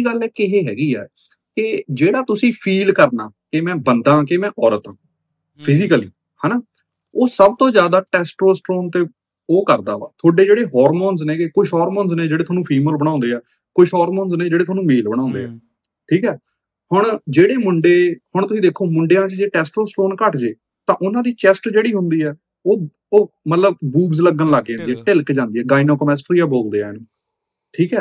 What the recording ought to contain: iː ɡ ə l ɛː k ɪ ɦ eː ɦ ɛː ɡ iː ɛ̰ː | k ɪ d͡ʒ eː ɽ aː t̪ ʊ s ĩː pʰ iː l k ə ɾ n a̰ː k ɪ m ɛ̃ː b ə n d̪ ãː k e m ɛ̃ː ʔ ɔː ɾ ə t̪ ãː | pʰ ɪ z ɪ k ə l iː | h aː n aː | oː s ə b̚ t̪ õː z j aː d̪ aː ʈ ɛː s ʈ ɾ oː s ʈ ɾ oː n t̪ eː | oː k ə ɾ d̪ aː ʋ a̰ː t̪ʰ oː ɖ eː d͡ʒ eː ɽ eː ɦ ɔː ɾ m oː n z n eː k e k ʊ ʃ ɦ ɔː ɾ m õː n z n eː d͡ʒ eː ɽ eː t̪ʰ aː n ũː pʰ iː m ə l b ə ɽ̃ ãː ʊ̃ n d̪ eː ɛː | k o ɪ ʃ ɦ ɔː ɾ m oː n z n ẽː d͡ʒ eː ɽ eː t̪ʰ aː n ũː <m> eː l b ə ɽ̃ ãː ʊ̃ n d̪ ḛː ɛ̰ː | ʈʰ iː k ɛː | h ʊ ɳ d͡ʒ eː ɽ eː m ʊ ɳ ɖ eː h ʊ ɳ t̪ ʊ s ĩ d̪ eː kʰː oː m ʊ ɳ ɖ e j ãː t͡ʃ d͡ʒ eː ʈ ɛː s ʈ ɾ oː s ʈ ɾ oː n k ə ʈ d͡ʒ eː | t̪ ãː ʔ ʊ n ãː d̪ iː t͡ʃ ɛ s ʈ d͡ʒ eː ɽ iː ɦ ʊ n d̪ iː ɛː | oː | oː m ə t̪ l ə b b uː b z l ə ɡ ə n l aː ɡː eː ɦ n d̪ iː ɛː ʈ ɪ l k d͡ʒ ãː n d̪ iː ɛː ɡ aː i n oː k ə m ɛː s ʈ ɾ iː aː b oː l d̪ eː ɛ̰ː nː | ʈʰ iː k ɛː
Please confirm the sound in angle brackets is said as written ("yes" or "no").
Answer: yes